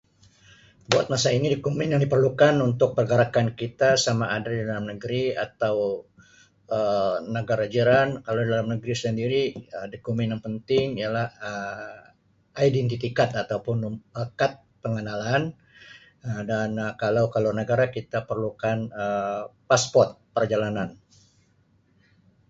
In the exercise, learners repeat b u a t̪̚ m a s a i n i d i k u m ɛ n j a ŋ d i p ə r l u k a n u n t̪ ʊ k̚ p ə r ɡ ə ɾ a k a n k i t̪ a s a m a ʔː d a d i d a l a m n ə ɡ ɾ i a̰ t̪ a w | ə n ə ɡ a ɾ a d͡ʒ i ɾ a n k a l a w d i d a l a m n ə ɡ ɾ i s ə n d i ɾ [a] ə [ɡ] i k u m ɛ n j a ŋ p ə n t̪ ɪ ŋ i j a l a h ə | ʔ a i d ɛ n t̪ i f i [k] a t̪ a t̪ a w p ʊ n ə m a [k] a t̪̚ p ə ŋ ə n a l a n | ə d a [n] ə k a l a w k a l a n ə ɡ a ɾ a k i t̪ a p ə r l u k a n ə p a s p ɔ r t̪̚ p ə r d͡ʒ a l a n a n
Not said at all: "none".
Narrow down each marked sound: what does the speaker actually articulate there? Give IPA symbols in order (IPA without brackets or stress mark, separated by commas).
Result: i, d, k, k, n